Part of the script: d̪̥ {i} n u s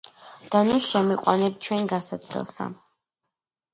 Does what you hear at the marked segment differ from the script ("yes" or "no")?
yes